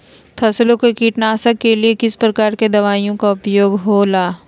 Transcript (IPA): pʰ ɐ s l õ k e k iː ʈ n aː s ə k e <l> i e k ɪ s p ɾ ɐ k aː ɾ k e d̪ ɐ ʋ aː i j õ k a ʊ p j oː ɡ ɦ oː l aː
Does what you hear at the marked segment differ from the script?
no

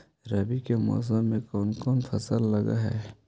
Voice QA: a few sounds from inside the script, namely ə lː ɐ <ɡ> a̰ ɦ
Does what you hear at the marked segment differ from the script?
no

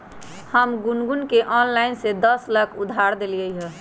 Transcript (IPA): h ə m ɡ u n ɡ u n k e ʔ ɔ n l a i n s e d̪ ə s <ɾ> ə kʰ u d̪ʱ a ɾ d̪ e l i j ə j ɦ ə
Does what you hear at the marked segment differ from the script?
yes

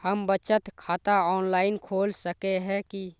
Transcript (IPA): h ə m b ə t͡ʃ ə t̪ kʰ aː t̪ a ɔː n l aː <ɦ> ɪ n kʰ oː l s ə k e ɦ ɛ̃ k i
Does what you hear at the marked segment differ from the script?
yes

